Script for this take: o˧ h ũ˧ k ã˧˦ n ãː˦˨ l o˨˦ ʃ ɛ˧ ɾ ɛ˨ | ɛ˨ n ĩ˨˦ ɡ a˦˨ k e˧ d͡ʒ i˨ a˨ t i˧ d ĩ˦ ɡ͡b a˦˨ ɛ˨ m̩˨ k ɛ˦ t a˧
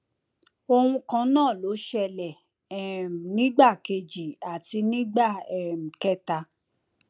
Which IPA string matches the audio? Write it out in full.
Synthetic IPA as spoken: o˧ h ũ˧ k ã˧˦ n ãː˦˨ l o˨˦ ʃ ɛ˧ l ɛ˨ | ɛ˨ n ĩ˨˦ ɡ͡b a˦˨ k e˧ d͡ʒ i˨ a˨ t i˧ n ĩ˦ ɡ͡b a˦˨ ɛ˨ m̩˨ k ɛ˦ t a˧

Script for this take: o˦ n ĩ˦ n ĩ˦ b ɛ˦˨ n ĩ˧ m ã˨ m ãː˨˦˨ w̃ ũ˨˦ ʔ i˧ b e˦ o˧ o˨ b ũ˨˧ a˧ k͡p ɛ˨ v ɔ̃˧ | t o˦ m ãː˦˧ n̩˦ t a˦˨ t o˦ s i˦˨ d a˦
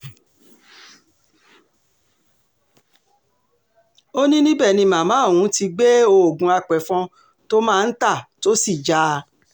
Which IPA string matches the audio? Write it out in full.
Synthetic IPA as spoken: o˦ n ĩ˦ n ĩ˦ b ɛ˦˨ n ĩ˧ m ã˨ m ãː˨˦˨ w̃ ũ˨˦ t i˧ ɡ͡b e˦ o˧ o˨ ɡ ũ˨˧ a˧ k͡p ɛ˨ f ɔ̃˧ | t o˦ m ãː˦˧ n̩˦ t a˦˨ t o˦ s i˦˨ d͡ʒ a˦

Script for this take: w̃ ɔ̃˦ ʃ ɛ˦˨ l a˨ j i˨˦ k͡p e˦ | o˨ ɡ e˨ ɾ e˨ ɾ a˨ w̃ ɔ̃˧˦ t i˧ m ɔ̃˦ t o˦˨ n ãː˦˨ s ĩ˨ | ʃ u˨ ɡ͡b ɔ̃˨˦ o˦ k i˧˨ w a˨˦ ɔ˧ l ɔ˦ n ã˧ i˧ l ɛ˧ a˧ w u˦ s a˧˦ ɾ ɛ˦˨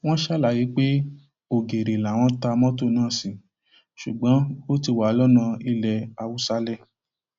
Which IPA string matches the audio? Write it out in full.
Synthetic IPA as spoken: w̃ ɔ̃˦ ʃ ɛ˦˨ l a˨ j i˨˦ k͡p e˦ | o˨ ɡ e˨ ɾ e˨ l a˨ w̃ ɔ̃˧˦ t a˧ m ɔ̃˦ t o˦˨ n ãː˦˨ s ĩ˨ | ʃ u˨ ɡ͡b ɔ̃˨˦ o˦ t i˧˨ w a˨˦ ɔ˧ l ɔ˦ n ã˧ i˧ l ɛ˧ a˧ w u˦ s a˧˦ l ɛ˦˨

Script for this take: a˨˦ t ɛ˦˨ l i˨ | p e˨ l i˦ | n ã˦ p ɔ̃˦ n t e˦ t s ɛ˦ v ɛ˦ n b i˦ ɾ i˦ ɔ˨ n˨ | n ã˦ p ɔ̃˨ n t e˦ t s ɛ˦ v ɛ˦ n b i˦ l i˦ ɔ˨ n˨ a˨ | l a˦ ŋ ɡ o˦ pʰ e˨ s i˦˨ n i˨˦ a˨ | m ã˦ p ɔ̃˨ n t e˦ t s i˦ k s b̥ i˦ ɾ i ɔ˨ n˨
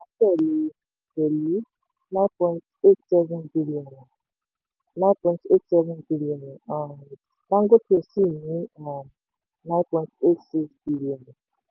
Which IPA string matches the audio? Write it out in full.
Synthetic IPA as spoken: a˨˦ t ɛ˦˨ l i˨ | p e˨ l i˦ | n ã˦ p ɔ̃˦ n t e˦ t s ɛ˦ v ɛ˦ n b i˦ l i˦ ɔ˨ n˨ | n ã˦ p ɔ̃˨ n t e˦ t s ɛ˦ v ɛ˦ n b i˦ l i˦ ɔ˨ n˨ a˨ | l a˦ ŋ ɡ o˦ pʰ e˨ s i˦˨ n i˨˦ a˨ | n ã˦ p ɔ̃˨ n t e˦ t s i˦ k s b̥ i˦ l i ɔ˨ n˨

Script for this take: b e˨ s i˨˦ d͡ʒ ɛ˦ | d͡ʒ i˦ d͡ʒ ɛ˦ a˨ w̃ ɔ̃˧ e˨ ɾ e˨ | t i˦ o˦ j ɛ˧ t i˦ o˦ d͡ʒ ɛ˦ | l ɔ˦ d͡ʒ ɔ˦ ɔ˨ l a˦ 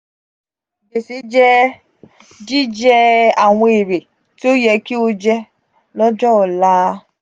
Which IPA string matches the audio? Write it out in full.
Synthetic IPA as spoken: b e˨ s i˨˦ d͡ʒ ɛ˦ | d͡ʒ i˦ d͡ʒ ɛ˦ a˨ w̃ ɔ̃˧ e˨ ɾ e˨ | t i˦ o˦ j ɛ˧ k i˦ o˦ d͡ʒ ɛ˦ | l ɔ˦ d͡ʒ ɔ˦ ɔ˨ l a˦

